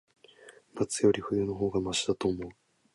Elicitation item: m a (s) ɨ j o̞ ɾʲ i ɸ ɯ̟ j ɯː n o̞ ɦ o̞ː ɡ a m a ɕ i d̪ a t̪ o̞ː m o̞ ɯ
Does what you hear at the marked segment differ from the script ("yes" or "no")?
yes